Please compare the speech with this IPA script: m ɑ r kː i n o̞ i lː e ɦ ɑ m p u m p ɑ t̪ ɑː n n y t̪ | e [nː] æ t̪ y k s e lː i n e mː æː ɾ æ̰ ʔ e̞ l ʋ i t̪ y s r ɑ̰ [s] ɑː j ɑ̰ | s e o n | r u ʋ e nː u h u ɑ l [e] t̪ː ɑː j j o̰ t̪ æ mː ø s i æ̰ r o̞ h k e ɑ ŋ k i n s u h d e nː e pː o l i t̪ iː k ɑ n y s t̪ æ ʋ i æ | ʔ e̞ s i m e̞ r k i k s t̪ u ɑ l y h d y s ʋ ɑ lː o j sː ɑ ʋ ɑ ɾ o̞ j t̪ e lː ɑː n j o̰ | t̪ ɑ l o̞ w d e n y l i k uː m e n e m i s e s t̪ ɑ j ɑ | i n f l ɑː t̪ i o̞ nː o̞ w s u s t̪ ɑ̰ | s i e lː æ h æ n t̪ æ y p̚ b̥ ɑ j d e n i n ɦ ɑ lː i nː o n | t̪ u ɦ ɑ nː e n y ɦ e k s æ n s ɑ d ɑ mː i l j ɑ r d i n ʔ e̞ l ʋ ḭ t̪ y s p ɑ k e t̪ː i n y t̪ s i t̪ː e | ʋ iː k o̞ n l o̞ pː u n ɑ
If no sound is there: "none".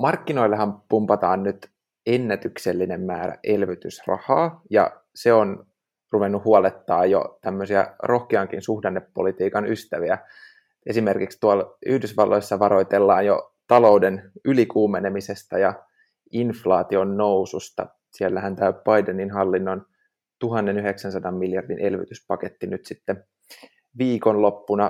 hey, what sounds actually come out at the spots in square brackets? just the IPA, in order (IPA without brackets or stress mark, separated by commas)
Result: nː, h, e